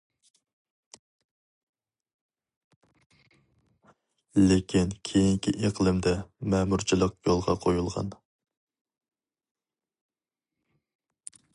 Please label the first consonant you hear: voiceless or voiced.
voiced